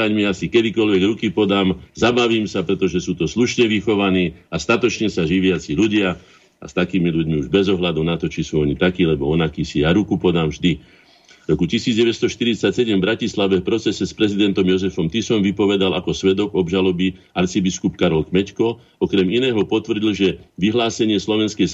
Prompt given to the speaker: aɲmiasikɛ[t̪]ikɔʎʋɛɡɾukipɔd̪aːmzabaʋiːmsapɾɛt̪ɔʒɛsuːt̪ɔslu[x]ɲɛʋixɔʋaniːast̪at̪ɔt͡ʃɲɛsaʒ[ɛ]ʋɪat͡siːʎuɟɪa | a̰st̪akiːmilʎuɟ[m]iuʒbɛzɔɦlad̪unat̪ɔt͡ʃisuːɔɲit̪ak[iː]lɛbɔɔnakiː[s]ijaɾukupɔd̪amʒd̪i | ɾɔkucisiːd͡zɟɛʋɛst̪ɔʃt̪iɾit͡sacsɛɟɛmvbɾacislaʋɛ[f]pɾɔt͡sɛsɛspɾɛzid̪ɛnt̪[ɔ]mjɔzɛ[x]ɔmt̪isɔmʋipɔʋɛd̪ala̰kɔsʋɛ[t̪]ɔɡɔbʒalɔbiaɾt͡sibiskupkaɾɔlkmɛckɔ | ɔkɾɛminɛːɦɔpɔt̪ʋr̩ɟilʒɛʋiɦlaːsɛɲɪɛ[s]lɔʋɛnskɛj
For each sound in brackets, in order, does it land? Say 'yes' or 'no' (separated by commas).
no, no, no, yes, yes, yes, yes, yes, no, no, yes